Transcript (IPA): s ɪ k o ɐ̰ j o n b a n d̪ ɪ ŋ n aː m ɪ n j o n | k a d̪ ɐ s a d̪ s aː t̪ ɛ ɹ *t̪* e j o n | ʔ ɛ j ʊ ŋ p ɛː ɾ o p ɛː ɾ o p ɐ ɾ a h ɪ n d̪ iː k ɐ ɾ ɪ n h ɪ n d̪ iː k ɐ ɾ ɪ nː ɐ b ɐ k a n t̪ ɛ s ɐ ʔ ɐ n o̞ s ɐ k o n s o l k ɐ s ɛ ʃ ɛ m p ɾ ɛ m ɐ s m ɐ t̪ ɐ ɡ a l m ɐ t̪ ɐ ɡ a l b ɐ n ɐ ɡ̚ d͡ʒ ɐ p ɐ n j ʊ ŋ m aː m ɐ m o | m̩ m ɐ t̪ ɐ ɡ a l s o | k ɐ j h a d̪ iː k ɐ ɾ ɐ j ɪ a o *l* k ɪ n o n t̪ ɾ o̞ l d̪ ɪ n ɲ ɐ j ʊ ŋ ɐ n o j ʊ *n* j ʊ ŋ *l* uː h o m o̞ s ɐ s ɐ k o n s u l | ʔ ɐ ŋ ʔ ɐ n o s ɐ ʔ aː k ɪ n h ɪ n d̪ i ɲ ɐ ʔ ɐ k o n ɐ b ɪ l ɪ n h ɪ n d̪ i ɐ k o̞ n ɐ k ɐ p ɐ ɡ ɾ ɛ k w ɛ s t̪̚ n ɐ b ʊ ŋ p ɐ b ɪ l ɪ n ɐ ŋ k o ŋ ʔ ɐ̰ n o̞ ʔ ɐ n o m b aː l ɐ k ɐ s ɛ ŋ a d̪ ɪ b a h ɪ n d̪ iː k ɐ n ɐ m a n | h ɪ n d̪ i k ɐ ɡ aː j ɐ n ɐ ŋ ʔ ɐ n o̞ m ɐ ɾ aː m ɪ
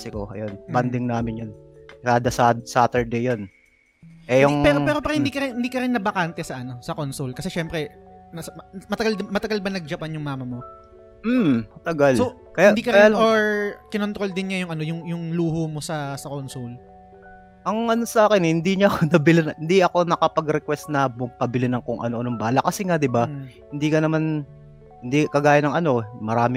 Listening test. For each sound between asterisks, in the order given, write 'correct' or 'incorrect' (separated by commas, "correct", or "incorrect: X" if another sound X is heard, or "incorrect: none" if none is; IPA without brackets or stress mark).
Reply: incorrect: d̪, incorrect: ɹ, incorrect: ŋ, correct